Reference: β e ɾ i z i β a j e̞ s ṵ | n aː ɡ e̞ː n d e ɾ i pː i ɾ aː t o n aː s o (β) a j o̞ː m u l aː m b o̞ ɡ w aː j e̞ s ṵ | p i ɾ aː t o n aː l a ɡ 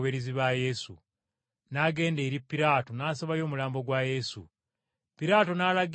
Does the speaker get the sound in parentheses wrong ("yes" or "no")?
no